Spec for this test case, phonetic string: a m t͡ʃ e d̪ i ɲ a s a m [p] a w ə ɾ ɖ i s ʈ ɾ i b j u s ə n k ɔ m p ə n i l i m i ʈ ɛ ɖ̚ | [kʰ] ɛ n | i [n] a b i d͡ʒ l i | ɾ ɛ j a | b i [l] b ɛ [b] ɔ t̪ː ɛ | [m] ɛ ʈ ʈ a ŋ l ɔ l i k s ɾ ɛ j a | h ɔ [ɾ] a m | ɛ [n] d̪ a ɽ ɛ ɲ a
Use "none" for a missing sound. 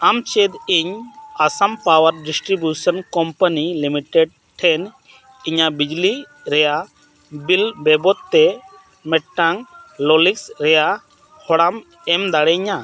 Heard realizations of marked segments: p, ʈʰ, ɲ, l, b, m, ɽ, m

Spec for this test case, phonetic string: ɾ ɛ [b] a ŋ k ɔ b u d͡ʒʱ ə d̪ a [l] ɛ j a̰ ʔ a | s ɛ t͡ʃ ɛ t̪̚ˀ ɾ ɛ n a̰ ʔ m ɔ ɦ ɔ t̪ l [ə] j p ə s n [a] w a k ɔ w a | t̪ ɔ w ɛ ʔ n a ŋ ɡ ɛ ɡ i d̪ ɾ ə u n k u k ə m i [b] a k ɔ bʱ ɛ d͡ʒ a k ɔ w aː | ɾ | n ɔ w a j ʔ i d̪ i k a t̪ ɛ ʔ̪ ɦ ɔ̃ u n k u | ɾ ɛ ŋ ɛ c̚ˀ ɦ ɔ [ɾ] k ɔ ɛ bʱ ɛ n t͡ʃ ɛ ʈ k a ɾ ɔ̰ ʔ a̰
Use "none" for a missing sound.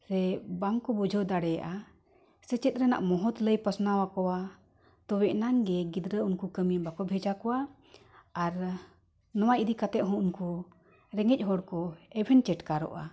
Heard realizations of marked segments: b, ɽ, ə, a, b, ɽ

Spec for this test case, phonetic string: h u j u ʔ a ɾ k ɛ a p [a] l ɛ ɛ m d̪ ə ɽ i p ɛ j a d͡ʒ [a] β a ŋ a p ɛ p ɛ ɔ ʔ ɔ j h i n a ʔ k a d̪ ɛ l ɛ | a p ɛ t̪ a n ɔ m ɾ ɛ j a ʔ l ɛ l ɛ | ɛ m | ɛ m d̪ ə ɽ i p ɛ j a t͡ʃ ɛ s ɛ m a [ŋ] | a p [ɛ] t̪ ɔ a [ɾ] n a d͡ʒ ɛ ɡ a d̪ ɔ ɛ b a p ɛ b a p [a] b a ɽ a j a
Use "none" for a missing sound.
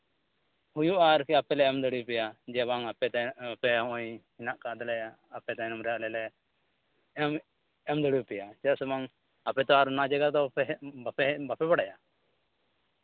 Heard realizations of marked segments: ɛ, ɛ, ŋ, ɛ, ɾ, ɛ

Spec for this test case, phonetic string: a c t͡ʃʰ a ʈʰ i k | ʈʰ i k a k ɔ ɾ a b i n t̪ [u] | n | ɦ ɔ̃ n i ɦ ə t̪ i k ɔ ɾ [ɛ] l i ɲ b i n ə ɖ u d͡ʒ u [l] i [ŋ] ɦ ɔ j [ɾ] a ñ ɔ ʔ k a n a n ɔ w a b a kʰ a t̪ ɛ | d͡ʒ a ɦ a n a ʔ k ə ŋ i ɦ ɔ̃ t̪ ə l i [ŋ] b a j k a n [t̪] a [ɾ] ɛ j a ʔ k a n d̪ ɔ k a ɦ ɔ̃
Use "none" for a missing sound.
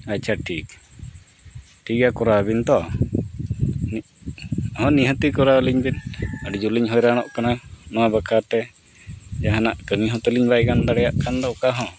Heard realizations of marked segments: ɔ, a, l, ɲ, ɾ, ɲ, d̪, ɽ

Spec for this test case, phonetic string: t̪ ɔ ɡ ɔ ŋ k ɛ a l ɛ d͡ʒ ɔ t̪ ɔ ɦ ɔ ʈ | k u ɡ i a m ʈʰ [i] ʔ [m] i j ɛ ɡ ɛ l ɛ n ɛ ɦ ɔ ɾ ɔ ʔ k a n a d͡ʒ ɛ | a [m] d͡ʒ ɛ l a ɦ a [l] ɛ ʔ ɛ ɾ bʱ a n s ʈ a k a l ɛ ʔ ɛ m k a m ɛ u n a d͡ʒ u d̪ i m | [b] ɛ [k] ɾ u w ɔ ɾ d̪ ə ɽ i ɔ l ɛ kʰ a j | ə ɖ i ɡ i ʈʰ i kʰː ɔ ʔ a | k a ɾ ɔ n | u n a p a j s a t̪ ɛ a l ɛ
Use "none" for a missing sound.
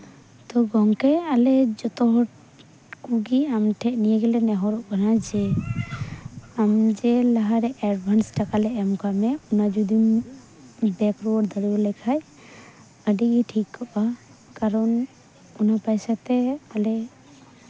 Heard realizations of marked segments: ɛ, n, m, ɾ, b, k

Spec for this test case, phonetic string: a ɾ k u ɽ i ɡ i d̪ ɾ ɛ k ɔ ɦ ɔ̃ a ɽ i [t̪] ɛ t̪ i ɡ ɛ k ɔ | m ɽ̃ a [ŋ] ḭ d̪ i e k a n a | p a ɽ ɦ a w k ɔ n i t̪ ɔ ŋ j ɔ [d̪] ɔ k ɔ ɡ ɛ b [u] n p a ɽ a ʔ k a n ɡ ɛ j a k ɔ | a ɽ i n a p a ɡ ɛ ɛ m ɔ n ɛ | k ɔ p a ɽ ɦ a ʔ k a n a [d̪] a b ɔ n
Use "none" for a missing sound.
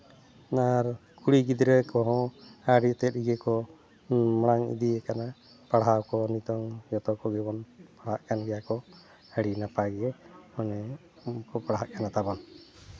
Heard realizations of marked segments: t̪, ŋ, t̪, ɔ, t̪

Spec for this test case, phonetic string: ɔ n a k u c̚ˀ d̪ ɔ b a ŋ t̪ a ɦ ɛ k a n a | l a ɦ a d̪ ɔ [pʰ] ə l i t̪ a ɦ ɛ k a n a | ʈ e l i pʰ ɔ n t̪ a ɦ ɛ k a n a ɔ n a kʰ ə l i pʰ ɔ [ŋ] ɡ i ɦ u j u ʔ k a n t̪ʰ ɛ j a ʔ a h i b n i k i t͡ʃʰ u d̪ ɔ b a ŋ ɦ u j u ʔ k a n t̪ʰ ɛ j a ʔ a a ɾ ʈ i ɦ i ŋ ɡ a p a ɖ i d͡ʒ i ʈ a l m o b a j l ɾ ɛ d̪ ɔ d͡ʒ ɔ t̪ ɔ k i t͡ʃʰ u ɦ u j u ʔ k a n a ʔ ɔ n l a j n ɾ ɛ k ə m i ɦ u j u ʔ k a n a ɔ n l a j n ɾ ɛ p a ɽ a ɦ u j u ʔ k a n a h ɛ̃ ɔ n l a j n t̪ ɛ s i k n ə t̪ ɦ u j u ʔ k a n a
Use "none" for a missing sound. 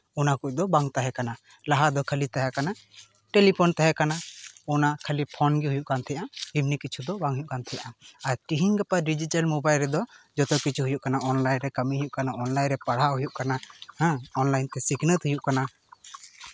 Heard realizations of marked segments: kʰ, n

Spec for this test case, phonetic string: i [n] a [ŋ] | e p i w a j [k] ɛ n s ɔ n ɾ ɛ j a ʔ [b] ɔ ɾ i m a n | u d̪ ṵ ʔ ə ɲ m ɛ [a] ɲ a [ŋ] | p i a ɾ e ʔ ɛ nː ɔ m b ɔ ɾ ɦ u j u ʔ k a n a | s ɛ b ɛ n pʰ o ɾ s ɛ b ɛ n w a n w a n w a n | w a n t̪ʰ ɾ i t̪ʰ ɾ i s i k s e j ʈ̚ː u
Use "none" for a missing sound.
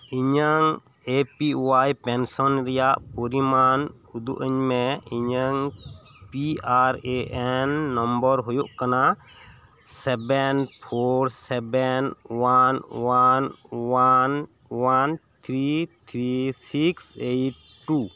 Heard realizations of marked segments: ɲ, ŋ, p, p, i, ŋ

